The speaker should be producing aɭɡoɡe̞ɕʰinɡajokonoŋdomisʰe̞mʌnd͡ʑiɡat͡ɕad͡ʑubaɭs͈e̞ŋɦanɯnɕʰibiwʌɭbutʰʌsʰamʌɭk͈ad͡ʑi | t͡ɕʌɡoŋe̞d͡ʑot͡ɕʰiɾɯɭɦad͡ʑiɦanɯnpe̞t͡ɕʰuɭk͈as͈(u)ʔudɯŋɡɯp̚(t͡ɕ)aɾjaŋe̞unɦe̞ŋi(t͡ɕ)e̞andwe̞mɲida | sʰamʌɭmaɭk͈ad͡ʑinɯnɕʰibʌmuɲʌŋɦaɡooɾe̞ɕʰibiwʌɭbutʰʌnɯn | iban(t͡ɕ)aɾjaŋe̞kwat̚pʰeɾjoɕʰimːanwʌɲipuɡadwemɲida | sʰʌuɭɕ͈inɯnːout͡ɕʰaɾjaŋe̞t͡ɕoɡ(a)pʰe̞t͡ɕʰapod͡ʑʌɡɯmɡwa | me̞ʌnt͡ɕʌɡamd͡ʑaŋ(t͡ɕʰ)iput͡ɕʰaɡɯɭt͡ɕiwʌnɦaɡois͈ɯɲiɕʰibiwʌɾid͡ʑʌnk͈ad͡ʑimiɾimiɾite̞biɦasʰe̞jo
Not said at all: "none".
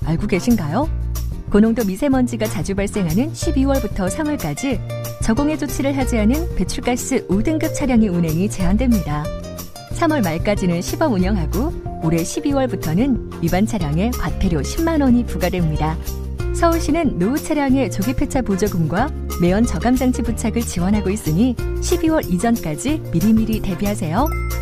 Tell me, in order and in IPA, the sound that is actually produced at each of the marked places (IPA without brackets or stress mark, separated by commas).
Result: ɯ, t͡ɕʰ, t͡ɕ, t͡ɕʰ, i, t͡ɕʰ